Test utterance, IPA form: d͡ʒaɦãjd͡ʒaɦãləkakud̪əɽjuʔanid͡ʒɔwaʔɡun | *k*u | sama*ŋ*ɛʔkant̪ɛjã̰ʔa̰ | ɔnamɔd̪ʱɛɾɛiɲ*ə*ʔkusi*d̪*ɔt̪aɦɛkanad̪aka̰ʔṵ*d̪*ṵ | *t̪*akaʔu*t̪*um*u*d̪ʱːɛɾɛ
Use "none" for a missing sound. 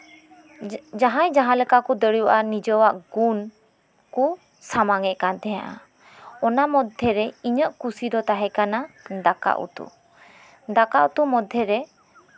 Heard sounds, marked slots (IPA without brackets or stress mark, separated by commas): k, ŋ, ə, d̪, t̪, d̪, t̪, ɔ